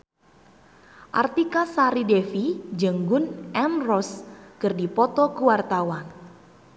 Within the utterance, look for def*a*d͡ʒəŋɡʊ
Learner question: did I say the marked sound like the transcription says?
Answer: no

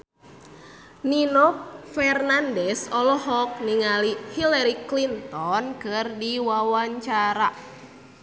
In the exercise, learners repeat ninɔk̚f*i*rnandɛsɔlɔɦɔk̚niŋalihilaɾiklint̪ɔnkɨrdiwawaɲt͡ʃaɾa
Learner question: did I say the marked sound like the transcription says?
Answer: no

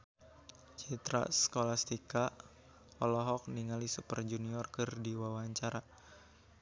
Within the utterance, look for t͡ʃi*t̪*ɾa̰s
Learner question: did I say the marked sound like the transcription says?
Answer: yes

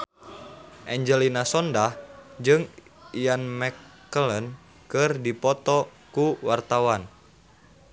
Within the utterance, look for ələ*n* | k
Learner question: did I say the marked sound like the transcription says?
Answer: yes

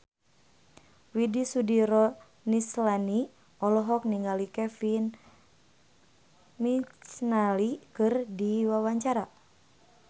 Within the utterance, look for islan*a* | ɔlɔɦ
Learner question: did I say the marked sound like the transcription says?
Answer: no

